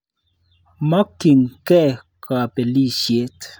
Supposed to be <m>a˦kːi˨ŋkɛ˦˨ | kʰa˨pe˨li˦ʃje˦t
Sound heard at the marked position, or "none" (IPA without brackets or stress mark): m